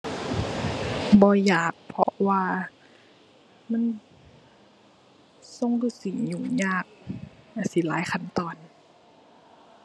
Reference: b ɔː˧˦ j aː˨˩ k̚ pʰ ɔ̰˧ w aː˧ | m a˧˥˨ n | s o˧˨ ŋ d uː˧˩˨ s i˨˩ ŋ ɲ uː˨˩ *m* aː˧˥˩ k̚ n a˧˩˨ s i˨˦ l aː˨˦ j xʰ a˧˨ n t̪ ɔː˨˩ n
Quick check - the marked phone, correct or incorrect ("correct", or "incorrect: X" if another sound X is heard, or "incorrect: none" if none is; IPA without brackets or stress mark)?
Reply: incorrect: ɲ